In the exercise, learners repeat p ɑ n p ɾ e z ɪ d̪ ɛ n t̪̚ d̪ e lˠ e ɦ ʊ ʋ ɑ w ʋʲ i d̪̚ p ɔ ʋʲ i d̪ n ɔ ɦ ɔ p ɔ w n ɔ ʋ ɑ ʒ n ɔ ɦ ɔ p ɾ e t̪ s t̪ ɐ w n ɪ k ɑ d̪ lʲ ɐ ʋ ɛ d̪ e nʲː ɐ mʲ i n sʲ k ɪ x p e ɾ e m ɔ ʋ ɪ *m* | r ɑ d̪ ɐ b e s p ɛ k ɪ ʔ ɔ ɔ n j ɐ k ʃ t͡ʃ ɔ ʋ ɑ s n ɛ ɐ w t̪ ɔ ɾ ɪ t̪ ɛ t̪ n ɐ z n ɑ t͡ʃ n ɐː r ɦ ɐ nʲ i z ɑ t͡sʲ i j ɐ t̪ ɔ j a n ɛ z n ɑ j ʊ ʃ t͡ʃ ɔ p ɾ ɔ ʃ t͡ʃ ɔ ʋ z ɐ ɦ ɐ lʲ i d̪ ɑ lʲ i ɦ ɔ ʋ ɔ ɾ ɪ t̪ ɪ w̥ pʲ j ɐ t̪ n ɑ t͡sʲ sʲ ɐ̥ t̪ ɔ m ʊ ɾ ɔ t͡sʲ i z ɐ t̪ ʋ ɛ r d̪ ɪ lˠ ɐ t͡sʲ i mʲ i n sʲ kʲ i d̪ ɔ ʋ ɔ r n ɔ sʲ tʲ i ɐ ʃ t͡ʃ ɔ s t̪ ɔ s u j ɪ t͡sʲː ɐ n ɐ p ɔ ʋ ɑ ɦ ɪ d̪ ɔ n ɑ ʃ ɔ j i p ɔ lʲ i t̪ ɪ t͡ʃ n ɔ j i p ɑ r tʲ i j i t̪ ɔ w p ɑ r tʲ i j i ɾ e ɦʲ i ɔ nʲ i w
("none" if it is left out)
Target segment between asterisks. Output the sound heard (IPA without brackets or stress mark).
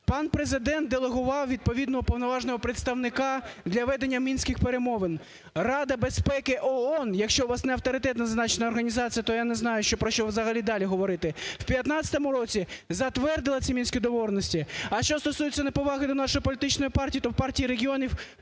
n